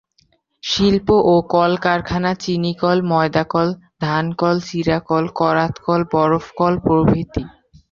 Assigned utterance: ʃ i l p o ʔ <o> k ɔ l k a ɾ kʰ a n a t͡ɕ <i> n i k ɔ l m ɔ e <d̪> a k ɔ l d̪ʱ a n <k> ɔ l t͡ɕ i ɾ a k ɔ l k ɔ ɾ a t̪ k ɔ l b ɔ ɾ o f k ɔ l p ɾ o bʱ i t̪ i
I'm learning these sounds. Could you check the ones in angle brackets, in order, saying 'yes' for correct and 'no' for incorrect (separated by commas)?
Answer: yes, yes, yes, yes